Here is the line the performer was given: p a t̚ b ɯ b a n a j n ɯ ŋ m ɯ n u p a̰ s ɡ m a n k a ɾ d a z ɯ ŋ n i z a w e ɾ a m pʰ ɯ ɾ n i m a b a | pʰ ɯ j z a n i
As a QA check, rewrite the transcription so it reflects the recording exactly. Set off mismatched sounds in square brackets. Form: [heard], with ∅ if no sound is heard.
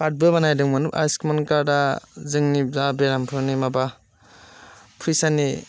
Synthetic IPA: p a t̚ b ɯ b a n a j [d] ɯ ŋ m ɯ n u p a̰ s [k] m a n k a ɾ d a z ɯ ŋ n i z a [b] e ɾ a m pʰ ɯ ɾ n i m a b a | pʰ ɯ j [s] a n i